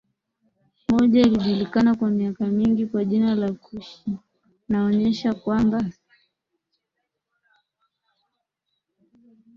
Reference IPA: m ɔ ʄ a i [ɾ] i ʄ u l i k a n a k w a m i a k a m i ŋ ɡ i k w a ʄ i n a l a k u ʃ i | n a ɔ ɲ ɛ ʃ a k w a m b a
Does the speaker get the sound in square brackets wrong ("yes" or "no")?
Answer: yes